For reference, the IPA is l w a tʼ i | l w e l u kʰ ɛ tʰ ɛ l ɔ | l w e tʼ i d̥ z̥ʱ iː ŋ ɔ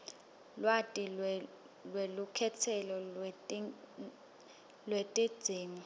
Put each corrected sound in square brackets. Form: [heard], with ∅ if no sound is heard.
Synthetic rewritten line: l w a tʼ i | l w e l u kʰ ɛ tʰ ɛ l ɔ | l w e tʼ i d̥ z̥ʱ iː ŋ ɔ